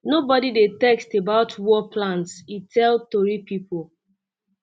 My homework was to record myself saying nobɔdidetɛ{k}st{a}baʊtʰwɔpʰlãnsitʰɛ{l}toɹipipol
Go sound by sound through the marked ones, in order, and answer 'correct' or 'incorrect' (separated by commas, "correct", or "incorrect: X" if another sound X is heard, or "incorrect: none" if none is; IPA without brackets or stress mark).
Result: correct, incorrect: e, correct